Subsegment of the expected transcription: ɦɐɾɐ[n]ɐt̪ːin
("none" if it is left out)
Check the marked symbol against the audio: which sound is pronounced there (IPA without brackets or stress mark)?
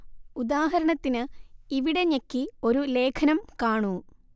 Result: ɳ